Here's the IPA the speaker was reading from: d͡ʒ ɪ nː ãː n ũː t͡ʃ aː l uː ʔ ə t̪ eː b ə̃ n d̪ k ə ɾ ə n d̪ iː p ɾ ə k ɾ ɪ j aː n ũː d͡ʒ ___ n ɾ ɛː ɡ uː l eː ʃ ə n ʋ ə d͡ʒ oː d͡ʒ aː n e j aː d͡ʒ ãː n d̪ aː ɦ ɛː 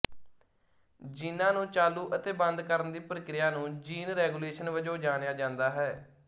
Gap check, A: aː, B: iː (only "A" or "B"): B